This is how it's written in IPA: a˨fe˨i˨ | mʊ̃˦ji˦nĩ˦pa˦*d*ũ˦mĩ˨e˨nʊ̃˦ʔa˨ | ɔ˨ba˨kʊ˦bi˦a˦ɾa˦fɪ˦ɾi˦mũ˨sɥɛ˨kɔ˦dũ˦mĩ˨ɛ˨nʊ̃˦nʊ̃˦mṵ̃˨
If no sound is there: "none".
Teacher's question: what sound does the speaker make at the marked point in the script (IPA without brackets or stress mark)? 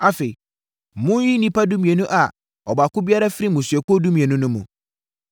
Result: d